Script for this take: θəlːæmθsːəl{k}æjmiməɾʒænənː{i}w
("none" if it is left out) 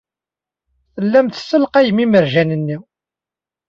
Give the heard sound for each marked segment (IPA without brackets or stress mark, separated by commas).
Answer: q, i